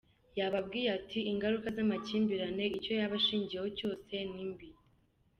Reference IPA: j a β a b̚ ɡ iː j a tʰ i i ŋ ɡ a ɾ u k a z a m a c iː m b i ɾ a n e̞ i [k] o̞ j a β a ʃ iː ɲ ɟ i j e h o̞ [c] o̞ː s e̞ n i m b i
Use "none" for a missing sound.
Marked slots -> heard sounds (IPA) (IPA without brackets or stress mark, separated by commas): c, c